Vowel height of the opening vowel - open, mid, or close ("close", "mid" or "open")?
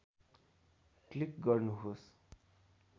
close